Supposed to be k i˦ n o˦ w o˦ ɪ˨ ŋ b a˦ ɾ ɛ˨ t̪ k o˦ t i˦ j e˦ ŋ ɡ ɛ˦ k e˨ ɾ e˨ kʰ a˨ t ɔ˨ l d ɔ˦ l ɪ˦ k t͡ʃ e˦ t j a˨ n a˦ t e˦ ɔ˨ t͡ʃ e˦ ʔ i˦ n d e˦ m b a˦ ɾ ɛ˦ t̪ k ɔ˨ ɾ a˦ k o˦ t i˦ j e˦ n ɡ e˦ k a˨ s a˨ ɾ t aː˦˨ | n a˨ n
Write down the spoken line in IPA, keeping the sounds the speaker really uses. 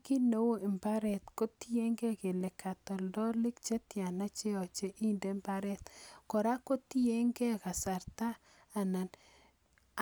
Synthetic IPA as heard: k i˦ n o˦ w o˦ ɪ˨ m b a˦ ɾ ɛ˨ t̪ k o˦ t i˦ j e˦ ŋ ɡ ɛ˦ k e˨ l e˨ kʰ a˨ t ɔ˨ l d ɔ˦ l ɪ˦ k t͡ʃ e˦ t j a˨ n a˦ t͡ʃ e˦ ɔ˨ t͡ʃ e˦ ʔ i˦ n d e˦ m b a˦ ɾ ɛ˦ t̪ k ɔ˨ ɾ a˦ k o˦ t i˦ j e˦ ŋ ɡ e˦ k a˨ s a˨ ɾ t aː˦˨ | n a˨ n